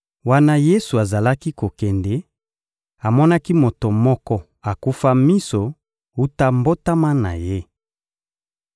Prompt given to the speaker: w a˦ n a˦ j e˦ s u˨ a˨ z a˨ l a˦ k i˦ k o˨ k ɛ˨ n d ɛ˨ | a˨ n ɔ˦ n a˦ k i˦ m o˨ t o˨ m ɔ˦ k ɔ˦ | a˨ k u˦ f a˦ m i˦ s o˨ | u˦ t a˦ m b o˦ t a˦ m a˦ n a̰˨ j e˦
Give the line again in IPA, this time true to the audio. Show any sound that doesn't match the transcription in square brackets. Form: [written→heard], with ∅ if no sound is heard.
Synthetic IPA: w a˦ n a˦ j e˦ s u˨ a˨ z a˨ l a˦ k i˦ k o˨ k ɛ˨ n d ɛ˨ | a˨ [n→m] ɔ˦ n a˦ k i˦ m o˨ t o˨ m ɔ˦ k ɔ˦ | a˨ k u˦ f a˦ m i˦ s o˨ | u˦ t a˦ m b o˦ t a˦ m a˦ n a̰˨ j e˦